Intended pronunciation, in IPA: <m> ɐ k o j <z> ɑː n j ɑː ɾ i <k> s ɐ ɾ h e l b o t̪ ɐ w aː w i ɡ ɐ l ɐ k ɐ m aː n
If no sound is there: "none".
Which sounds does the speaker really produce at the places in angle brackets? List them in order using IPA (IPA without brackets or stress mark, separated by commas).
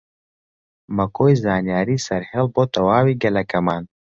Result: m, z, none